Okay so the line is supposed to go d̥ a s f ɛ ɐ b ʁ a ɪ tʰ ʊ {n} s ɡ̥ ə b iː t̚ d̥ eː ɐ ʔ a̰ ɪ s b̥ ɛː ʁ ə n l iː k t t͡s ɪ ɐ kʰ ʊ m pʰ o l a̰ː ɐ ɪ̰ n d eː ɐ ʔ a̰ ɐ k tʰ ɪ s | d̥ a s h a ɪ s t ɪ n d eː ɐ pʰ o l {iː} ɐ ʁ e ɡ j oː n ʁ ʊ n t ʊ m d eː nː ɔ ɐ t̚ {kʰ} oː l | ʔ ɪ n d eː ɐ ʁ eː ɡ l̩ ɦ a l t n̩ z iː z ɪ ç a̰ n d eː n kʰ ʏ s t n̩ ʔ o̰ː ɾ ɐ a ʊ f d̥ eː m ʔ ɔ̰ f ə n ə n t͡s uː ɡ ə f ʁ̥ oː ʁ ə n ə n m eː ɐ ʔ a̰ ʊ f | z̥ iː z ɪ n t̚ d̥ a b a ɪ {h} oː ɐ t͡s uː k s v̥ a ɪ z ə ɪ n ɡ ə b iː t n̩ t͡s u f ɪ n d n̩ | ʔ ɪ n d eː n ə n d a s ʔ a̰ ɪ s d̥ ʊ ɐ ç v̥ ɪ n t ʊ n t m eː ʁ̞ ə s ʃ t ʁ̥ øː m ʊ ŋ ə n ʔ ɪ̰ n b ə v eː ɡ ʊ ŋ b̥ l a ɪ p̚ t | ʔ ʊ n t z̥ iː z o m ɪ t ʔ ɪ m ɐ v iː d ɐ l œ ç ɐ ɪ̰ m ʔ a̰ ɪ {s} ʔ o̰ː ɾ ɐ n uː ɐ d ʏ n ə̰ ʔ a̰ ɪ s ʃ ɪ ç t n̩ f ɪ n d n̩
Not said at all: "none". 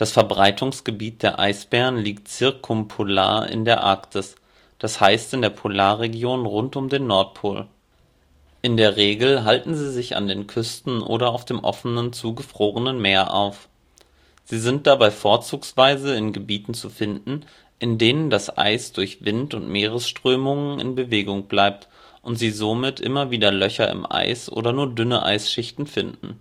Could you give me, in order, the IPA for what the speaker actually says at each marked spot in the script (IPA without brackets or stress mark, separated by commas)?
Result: ŋ, aː, pʰ, f, s